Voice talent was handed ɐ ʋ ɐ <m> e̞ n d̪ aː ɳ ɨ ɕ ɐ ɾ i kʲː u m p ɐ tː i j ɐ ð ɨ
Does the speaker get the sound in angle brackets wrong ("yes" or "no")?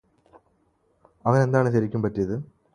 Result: yes